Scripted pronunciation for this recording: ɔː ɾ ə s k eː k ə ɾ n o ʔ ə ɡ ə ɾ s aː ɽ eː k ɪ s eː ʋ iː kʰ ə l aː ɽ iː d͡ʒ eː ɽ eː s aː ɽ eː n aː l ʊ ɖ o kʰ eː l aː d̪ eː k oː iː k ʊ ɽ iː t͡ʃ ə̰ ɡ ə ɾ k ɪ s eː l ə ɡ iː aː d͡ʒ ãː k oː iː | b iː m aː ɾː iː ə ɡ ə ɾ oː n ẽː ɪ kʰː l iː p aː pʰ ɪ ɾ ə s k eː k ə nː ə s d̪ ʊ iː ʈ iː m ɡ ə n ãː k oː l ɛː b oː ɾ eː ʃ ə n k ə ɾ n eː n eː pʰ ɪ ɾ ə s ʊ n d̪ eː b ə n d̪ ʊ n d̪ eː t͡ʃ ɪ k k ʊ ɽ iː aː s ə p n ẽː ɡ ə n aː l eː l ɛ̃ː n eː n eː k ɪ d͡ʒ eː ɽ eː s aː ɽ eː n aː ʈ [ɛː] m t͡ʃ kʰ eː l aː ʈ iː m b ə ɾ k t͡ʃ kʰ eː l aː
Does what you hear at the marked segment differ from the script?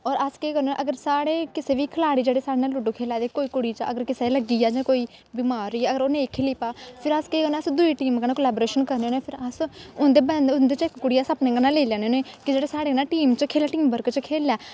yes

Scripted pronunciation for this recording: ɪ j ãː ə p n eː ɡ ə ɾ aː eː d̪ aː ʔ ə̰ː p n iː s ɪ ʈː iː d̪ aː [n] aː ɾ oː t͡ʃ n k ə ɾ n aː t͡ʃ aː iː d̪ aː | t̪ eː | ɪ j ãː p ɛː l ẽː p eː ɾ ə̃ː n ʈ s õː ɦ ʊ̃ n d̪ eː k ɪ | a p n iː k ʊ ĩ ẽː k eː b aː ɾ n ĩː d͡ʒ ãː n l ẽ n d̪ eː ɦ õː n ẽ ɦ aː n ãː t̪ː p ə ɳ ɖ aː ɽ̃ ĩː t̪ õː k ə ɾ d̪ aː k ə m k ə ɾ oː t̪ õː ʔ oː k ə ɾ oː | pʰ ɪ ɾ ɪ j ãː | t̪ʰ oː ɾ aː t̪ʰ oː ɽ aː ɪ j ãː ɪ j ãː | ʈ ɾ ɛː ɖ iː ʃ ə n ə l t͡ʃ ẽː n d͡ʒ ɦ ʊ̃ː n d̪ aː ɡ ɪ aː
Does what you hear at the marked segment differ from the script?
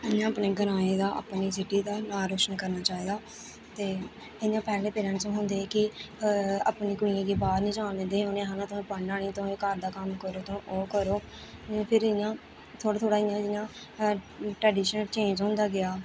no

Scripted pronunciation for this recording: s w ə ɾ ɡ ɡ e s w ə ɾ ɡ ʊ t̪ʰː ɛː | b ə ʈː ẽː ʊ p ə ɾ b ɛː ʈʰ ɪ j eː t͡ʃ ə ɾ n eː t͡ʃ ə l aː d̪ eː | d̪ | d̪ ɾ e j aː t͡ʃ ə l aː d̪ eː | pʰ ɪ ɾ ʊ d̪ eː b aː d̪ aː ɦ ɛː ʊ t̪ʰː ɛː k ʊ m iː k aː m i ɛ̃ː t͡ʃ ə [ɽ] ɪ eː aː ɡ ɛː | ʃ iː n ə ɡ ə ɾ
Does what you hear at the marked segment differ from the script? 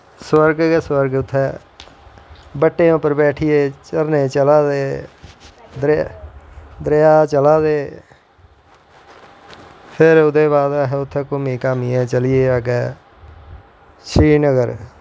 yes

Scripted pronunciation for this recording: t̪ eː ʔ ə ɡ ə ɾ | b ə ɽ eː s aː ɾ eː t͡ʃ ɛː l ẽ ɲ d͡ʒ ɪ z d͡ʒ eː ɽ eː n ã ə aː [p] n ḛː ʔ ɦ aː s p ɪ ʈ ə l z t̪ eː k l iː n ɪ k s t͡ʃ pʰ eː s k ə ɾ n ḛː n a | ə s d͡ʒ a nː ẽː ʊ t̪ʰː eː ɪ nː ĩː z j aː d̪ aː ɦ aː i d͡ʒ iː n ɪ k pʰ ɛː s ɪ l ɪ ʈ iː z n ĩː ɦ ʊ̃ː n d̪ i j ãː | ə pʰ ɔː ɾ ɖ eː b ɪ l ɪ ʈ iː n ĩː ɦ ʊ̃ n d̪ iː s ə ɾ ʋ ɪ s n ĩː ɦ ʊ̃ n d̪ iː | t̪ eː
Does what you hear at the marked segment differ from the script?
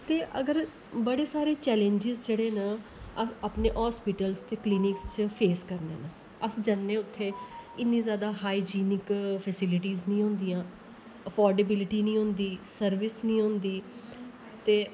no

